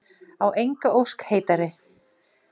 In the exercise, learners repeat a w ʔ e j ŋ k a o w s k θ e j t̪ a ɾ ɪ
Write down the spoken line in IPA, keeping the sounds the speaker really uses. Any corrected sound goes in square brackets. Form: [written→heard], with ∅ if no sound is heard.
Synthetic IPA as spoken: a w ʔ e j ŋ k a o w s k [θ→h] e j t̪ a ɾ ɪ